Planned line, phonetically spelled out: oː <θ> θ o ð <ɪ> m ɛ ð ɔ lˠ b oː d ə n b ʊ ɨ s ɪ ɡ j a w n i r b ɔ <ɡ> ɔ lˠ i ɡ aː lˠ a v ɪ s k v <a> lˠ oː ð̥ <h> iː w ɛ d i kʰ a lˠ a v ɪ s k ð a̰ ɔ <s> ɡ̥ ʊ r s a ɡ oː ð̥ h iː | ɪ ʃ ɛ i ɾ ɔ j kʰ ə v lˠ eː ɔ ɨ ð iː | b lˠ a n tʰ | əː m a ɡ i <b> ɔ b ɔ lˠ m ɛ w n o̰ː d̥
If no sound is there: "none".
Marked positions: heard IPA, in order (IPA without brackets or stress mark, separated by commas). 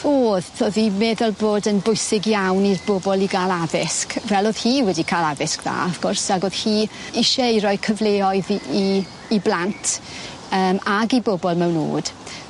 ð, i, b, ɛ, h, f, b